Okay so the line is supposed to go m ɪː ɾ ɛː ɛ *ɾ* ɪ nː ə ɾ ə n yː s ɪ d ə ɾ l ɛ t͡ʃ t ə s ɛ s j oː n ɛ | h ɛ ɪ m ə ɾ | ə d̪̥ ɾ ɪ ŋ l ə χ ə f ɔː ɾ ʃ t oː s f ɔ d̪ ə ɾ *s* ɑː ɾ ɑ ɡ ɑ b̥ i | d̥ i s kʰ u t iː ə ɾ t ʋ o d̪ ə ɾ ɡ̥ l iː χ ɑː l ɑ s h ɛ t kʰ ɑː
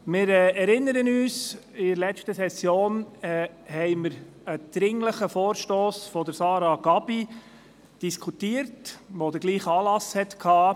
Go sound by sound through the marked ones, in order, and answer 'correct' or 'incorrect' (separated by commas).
correct, correct